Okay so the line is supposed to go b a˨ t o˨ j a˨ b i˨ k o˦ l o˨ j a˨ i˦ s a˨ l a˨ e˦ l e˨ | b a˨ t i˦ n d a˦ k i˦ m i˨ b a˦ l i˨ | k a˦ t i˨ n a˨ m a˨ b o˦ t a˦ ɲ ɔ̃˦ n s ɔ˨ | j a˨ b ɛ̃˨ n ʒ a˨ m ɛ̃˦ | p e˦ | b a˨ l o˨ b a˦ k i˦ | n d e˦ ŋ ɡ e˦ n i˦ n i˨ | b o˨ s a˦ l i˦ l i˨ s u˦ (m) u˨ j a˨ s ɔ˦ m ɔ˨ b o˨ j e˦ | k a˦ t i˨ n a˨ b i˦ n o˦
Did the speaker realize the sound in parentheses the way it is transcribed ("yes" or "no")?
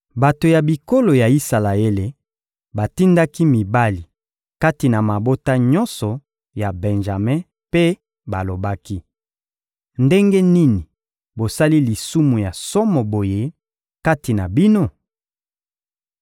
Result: yes